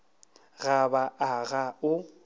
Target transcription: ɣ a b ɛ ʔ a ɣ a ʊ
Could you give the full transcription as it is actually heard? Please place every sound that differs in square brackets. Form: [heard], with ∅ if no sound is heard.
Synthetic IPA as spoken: ɣ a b [a] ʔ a ɣ a ʊ

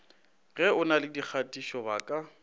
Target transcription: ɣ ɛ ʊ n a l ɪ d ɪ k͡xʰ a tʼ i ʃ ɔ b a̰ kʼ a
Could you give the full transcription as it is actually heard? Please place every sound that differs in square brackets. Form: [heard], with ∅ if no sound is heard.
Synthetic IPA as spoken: ɣ ɛ ʊ n a l ɪ d [i] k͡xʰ a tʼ i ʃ ɔ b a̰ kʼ a

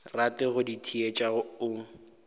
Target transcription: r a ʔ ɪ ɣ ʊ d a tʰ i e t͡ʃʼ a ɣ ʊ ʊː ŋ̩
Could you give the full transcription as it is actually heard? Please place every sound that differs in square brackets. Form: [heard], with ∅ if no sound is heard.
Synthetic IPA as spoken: r a [t] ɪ ɣ ʊ d [i] tʰ i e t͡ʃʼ a ɣ ʊ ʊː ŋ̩

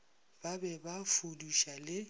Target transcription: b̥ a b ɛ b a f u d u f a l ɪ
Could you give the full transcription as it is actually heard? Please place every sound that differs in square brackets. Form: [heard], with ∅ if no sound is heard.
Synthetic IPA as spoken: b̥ a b ɛ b a f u d u [ʃ] a l ɪ

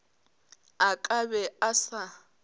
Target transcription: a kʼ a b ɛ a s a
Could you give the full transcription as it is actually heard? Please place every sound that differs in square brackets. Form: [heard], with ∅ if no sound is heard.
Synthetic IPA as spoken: a kʼ a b ɛ a s a

